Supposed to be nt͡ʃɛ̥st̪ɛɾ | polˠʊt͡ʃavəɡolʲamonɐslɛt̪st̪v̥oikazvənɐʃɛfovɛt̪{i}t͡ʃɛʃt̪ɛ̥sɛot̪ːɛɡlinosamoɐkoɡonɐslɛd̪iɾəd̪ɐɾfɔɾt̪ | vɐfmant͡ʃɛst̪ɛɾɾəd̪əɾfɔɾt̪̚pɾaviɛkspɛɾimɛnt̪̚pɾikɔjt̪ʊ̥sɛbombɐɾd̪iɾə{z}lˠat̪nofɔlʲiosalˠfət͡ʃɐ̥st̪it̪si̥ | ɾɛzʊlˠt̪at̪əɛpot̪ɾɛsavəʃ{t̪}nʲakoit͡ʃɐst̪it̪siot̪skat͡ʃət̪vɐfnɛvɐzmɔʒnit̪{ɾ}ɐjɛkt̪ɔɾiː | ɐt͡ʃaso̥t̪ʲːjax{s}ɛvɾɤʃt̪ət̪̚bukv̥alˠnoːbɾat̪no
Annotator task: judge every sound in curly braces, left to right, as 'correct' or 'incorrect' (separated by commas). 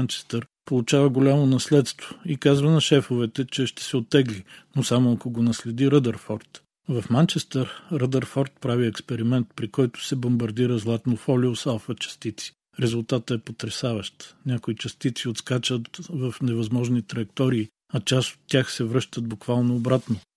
incorrect, correct, correct, correct, correct